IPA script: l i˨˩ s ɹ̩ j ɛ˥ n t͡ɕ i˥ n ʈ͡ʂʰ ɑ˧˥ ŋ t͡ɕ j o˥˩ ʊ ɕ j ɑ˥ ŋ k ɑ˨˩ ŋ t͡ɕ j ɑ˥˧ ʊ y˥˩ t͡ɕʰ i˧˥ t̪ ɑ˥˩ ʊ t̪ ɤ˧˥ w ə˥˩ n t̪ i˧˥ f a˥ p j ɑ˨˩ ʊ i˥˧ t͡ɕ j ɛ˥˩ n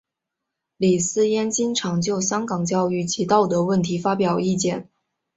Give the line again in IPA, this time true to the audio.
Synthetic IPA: l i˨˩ s ɹ̩ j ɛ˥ n t͡ɕ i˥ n ʈ͡ʂʰ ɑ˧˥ ŋ t͡ɕ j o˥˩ ʊ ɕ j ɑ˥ ŋ k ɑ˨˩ ŋ t͡ɕ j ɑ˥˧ ʊ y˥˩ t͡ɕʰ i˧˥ t̪ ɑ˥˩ ʊ t̪ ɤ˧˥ w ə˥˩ n t̪ʰ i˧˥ f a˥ p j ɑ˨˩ ʊ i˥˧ t͡ɕ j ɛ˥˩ n